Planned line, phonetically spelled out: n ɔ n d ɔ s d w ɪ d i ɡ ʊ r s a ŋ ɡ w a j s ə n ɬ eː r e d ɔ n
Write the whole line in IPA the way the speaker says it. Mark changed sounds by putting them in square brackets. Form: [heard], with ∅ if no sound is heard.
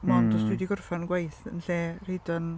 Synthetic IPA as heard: [m] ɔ n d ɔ s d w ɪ d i ɡ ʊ r [f] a [n] ɡ w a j [θ] ə n ɬ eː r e d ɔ n